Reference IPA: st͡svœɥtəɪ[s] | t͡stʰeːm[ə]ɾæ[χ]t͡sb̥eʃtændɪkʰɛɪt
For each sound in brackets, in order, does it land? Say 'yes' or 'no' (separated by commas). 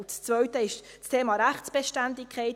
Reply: no, no, yes